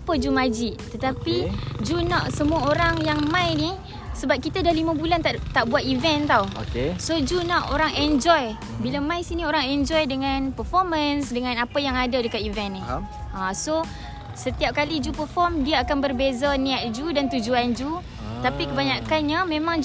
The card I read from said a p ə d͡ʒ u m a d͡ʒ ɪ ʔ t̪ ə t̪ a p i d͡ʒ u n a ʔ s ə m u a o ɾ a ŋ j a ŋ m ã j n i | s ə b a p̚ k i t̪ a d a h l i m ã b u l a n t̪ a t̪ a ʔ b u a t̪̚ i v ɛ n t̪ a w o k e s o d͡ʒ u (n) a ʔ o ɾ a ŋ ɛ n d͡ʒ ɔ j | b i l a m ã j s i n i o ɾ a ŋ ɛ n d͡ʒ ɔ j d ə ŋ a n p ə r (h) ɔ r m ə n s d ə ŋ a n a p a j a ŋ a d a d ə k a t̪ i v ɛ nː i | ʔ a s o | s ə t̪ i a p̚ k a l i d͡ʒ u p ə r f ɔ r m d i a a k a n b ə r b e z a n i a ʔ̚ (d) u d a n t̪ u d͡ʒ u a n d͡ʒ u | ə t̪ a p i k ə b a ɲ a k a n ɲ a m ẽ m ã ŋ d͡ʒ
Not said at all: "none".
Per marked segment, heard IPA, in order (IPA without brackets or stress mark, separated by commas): n, f, d͡ʒ